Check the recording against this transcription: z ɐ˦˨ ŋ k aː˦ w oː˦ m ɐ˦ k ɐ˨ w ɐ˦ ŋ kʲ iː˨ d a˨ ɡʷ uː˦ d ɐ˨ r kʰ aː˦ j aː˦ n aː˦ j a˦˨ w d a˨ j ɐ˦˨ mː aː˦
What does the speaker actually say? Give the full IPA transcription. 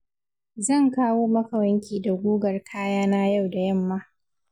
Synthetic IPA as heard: z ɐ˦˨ ŋ k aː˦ w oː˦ m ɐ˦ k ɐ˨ w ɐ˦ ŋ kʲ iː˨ d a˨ ɡʷ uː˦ ɡ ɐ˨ r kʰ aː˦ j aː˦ n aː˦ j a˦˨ w d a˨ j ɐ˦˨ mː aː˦